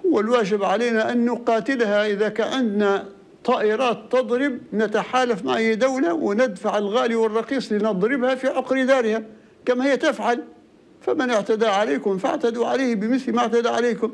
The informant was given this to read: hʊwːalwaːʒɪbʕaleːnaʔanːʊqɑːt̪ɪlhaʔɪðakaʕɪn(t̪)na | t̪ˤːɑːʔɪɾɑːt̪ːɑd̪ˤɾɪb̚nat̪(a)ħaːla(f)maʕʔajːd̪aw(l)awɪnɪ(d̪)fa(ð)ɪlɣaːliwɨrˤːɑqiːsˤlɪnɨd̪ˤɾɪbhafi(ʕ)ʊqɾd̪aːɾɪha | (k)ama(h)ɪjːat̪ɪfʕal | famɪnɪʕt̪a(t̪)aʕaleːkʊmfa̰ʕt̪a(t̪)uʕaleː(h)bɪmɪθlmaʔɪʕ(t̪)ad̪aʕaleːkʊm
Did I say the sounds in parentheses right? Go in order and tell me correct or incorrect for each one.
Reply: incorrect, correct, correct, correct, correct, incorrect, correct, correct, correct, incorrect, incorrect, correct, correct

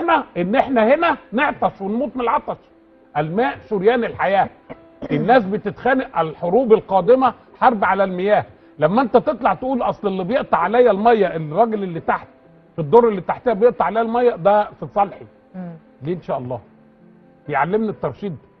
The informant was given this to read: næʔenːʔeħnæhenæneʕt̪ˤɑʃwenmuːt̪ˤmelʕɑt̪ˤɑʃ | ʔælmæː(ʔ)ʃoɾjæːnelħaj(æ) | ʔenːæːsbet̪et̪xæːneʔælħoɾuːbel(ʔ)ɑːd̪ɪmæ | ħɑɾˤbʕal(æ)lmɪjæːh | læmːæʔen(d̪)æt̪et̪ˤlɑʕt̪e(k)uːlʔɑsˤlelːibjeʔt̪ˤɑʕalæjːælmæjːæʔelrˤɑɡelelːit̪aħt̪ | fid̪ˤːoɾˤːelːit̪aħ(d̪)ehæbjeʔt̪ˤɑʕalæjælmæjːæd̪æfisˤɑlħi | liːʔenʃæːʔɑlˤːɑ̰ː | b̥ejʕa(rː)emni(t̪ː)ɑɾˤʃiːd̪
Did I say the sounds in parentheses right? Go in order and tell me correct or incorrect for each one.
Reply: correct, incorrect, incorrect, correct, incorrect, incorrect, incorrect, incorrect, correct

